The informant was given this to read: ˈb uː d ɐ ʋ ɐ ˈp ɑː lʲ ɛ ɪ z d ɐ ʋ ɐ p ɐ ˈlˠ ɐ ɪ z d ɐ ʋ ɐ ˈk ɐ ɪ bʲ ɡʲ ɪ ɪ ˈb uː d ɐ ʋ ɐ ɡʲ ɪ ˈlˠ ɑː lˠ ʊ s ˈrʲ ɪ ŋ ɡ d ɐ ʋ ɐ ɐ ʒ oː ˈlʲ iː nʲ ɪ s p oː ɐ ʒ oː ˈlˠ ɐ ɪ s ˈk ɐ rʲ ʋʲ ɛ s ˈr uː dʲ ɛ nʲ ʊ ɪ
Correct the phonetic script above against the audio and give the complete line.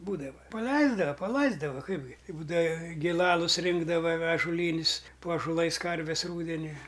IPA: ˈb uː d ɐ ʋ ɐ ˈp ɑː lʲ ɛ ɪ z d ɐ ʋ ɐ p ɐ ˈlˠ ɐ ɪ z d ɐ ʋ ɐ ˈk ɐ ɪ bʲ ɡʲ ɪ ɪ ˈb uː d ɐ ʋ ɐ ɡʲ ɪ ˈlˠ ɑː lˠ ʊ s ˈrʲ ɪ ŋ ɡ d ɐ ʋ ɐ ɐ ʒ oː ˈlʲ iː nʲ ɪ s p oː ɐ ʒ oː ˈlˠ ɐ ɪ s ˈk ɐ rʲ ʋʲ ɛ s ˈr uː dʲ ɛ nʲ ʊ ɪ